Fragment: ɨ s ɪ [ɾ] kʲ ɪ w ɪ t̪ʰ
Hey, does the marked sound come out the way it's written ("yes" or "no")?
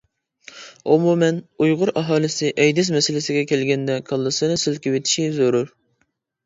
no